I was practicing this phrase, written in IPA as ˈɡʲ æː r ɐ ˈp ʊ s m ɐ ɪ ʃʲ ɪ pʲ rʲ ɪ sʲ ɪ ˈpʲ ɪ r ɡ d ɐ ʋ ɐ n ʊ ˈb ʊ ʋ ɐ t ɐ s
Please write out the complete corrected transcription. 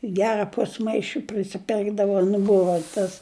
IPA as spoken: ˈɡʲ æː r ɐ ˈp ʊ s m ɐ ɪ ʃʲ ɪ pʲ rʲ ɪ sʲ ɪ ˈpʲ ɪ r ɡ d ɐ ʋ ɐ n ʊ ˈb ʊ ʋ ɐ t ɐ s